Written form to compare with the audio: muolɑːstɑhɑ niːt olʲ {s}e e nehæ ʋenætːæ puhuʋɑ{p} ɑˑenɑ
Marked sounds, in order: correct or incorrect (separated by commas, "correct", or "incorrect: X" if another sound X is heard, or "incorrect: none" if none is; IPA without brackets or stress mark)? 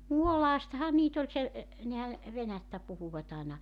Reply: correct, incorrect: t